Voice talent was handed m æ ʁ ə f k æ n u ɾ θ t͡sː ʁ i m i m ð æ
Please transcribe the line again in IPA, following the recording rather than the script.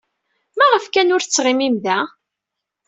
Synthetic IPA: m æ ʁ ə f k æ n ʊ ɾ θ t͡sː ʁ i m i m ð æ